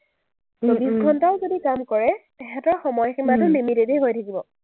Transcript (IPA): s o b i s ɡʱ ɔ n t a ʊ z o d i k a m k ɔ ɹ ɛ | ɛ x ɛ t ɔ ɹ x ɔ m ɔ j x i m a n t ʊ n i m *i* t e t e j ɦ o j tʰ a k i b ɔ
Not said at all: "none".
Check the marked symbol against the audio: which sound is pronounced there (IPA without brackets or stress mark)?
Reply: i